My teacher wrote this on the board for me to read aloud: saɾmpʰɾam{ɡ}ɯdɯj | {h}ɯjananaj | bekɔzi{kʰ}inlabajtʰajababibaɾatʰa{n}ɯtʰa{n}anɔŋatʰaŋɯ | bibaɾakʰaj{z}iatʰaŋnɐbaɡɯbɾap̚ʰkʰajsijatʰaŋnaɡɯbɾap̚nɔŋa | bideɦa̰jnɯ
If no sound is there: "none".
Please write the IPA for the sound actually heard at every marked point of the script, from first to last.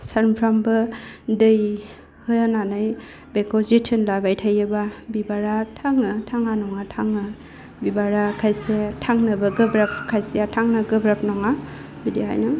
b, h, tʰ, ŋ, ŋ, s

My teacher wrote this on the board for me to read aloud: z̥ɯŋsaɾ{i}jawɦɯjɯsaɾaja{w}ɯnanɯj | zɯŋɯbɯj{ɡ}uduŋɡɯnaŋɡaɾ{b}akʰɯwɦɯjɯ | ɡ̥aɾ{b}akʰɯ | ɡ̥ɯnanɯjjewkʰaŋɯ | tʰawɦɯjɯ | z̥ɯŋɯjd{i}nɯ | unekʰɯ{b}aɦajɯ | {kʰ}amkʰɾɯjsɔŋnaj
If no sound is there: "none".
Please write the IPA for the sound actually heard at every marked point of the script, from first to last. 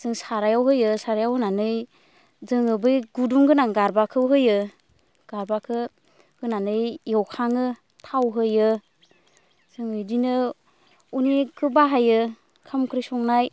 a, w, ɡ, b, b, i, b, kʰ

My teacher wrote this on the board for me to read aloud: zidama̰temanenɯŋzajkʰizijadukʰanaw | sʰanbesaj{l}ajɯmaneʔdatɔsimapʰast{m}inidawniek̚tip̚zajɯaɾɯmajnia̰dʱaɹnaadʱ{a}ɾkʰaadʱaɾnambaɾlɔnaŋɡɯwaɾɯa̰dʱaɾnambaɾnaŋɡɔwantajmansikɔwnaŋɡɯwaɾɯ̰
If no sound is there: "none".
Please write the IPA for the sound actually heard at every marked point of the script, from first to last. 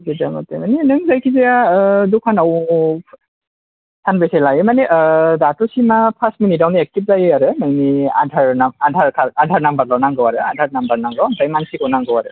l, m, a

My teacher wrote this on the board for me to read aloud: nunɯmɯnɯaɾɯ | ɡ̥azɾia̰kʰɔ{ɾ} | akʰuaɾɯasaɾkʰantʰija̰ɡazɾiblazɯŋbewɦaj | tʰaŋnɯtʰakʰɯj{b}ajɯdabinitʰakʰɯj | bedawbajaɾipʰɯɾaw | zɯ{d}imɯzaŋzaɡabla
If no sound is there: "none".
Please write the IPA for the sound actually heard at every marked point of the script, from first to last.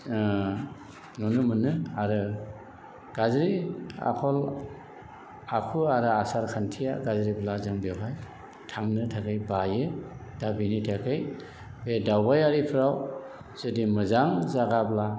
l, b, d

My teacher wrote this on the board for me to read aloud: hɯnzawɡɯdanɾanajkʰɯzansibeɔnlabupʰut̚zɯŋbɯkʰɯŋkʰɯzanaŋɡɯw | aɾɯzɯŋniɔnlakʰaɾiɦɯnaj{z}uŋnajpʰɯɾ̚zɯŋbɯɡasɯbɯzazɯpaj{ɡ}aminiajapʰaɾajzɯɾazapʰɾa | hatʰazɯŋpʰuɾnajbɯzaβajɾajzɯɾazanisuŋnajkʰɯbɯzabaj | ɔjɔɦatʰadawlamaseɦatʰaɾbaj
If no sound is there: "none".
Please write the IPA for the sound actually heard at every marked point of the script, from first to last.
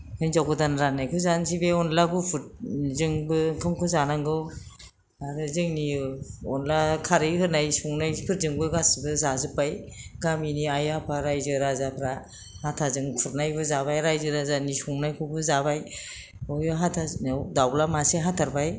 s, ɡ

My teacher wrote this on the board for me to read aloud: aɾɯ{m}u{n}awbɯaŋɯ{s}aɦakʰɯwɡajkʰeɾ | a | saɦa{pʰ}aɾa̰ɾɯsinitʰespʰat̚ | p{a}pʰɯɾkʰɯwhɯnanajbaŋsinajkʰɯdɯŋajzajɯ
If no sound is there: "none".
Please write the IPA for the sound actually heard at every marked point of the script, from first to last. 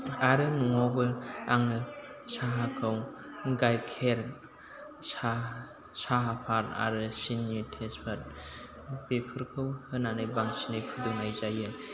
n, ŋ, s, pʰ, e

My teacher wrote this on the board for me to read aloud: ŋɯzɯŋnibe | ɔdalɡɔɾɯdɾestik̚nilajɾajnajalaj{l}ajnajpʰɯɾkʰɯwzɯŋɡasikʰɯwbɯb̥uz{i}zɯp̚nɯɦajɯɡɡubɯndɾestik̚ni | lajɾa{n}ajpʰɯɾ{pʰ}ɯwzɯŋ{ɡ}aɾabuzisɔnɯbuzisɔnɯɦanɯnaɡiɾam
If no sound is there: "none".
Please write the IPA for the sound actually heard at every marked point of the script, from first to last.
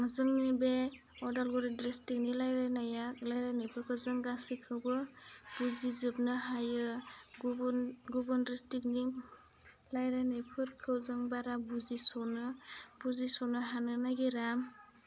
ɾ, i, n, kʰ, b

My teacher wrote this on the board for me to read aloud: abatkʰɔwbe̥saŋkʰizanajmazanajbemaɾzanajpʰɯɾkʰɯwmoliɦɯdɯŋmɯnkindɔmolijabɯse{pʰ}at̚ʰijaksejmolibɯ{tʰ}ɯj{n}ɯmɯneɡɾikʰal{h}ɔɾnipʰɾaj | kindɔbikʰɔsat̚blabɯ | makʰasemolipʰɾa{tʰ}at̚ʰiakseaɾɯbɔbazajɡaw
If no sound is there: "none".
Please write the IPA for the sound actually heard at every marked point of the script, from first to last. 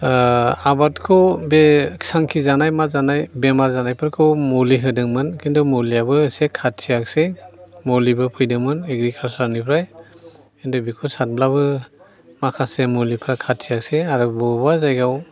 kʰ, pʰ, d, s, kʰ

